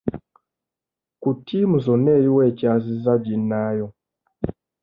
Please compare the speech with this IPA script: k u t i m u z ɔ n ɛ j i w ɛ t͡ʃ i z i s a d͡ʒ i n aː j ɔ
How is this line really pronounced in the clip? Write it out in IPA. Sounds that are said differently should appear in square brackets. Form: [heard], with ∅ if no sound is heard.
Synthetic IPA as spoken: k u t i m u z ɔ n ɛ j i w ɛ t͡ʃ [a] z i [z] a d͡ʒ i n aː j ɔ